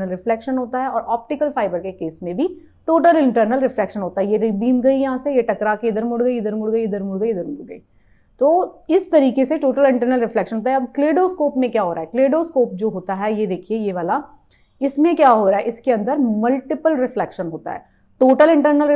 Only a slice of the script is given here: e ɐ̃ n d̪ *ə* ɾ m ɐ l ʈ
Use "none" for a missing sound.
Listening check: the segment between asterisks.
ə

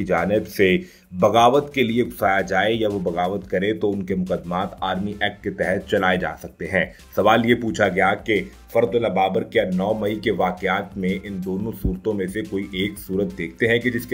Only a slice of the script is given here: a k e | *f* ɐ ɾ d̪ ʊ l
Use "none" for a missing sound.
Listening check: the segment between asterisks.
f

